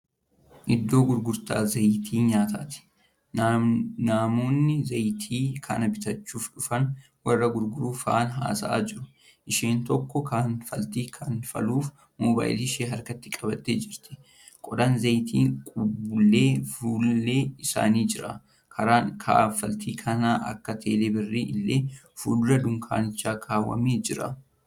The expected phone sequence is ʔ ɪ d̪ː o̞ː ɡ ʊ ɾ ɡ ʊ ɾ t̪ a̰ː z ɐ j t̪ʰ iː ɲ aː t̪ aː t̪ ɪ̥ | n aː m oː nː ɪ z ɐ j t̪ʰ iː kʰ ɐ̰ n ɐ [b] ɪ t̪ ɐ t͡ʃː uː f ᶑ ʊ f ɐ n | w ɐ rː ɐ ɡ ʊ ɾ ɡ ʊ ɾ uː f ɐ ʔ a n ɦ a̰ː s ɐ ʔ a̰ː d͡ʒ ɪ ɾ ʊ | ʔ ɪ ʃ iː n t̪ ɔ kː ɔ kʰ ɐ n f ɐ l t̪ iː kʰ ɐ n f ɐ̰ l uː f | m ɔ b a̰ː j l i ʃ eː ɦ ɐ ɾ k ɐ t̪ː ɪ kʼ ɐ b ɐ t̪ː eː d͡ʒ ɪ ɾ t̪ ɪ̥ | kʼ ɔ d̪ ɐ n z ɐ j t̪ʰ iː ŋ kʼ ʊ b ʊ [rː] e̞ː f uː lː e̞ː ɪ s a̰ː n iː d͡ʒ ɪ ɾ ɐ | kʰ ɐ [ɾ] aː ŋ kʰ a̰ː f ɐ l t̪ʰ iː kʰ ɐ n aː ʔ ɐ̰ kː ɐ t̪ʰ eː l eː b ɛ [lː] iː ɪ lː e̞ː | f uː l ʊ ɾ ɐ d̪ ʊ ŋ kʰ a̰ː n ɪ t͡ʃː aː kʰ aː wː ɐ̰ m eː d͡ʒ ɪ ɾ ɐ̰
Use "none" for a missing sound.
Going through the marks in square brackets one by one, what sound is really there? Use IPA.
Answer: b, lː, ɾ, rː

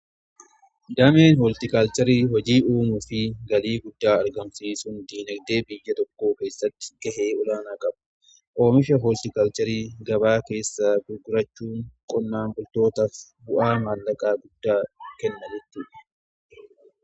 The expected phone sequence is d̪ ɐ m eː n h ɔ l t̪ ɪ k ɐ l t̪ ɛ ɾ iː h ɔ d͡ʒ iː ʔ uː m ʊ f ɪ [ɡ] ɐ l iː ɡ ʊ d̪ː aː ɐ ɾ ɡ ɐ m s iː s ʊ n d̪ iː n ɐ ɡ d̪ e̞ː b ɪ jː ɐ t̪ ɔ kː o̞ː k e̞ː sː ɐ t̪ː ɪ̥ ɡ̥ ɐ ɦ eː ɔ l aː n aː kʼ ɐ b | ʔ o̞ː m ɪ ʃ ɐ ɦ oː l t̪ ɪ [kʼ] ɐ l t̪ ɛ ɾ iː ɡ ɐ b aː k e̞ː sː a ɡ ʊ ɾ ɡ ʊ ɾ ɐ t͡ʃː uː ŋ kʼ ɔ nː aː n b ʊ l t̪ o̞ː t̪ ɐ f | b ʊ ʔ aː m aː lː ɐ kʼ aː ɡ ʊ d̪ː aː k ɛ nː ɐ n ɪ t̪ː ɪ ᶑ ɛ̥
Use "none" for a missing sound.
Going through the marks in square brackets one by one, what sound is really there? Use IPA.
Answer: ɡ, k

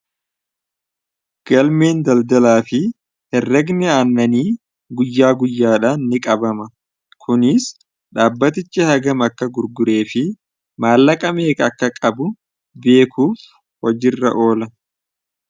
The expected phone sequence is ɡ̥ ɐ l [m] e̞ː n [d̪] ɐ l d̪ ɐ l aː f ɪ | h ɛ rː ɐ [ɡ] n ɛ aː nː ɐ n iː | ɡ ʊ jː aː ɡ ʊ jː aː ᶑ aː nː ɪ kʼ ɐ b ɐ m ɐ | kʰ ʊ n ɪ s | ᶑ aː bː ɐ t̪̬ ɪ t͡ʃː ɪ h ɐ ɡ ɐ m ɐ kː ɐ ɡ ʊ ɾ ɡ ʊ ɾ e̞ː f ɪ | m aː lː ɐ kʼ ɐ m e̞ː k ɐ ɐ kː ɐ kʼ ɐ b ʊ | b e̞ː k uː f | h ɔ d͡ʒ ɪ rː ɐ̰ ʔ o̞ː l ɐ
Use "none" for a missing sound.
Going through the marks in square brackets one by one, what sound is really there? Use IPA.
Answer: m, d̪, ɡ

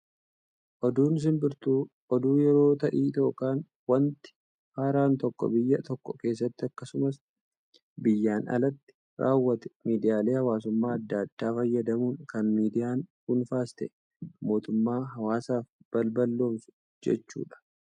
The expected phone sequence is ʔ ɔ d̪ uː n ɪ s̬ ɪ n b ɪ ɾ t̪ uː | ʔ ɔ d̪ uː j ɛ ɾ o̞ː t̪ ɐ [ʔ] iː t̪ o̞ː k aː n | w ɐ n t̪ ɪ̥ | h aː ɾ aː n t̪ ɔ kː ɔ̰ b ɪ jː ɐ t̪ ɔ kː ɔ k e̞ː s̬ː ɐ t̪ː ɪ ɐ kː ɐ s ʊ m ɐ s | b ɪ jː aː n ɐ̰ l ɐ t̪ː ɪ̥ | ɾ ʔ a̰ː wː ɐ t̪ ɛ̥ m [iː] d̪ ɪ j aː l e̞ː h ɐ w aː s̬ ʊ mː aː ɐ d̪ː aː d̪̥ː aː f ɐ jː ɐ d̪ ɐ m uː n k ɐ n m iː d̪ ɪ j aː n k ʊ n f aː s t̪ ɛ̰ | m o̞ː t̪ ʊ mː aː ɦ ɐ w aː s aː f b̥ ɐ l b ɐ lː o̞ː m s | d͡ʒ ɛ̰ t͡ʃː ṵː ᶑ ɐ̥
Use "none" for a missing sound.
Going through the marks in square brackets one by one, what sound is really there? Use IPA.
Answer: ʔ, iː

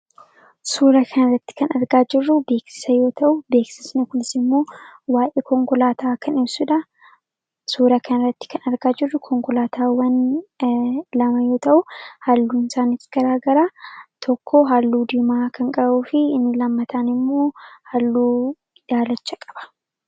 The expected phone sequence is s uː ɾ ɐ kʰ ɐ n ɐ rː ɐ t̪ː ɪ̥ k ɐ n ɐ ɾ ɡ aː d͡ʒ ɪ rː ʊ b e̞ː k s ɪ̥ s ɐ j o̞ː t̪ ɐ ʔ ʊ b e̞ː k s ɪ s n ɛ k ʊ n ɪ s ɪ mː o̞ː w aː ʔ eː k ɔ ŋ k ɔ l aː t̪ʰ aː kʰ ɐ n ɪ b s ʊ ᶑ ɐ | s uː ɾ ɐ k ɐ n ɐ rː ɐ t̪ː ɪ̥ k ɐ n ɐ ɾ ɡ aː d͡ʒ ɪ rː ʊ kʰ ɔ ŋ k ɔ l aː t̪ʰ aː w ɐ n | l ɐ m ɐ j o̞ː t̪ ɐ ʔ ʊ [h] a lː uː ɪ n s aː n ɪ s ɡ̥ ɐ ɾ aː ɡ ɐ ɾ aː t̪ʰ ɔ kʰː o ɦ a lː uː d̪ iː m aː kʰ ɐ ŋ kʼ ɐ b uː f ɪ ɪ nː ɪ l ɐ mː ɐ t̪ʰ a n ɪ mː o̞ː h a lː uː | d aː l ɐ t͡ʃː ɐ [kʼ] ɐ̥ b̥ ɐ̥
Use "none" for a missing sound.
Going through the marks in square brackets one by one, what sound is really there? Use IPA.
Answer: h, kʼ

